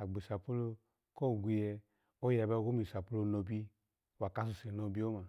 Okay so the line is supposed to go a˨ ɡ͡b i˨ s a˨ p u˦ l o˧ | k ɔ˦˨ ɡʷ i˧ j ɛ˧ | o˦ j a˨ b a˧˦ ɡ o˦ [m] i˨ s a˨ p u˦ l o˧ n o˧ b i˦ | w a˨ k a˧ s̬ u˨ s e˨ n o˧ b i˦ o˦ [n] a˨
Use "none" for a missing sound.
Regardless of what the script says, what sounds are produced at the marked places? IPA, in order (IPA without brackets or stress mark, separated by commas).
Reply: m, m